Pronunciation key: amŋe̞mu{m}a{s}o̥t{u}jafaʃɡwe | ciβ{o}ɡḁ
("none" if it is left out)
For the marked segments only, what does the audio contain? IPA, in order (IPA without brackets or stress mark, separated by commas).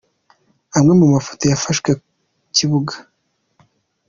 m, f, o, u